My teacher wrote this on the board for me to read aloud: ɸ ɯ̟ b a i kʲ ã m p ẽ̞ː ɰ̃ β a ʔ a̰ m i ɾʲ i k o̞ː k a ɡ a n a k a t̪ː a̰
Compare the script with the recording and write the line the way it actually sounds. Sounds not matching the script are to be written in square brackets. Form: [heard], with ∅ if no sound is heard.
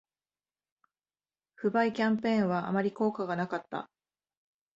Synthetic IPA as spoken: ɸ ɯ̟ b a i kʲ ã m p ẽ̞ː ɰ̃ β a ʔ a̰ m [a] ɾʲ i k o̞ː k a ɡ a n a k a t̪ː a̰

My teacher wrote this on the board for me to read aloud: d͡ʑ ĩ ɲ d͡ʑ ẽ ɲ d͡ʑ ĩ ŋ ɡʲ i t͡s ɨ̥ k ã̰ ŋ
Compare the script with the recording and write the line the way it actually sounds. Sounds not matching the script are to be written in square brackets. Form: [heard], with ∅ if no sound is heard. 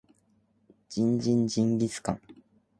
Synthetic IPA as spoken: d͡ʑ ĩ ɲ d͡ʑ [ĩ] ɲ d͡ʑ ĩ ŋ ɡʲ i t͡s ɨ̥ k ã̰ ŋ

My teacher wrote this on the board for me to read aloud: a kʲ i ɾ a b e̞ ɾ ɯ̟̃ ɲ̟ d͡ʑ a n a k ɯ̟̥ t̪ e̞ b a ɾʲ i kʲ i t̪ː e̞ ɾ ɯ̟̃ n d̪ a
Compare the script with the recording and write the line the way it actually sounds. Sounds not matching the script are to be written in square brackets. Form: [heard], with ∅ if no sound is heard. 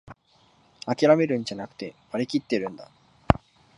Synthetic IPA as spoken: a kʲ i ɾ a [m] e̞ ɾ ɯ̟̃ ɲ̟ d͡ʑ a n a k ɯ̟̥ t̪ e̞ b a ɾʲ i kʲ i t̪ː e̞ ɾ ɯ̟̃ n d̪ a

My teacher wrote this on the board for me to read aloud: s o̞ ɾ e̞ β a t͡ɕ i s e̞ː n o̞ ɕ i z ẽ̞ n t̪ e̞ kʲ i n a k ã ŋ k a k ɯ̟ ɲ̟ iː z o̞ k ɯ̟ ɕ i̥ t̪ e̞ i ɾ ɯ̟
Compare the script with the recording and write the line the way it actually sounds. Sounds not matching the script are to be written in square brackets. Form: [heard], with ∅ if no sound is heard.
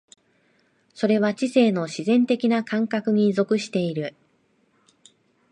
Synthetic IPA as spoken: s o̞ ɾ e̞ β a t͡ɕ i s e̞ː n o̞ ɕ i z ẽ̞ n t̪ e̞ kʲ i n a k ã ŋ k a k ɯ̟ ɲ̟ [i] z o̞ k ɯ̟ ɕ i̥ t̪ e̞ i ɾ ɯ̟

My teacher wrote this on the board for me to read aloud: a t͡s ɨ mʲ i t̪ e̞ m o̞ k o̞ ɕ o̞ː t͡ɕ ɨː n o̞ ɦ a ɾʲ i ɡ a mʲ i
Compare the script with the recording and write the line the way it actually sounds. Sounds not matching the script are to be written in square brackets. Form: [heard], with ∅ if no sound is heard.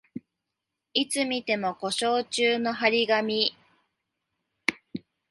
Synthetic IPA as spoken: [i] t͡s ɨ mʲ i t̪ e̞ m o̞ k o̞ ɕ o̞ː t͡ɕ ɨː n o̞ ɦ a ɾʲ i ɡ a mʲ i

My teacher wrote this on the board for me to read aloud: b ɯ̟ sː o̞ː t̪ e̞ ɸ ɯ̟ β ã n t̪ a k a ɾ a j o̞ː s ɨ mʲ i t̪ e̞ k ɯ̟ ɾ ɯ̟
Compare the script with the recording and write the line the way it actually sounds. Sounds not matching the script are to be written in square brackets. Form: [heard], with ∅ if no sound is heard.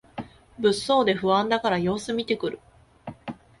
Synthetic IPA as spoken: b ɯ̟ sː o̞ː [d̪] e̞ ɸ ɯ̟ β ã n [d̪] a k a ɾ a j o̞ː s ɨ mʲ i t̪ e̞ k ɯ̟ ɾ ɯ̟

